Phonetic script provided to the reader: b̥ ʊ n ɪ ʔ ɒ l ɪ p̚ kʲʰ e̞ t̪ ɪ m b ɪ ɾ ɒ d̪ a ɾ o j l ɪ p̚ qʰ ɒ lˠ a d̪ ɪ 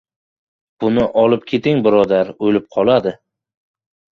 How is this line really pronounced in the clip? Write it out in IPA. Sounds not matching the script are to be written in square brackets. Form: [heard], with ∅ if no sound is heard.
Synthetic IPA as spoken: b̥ ʊ n ɪ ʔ ɒ l ɪ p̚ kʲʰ e̞ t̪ ɪ [ŋ] b ɪ ɾ ɒ d̪ a ɾ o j l ɪ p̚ qʰ ɒ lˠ a d̪ ɪ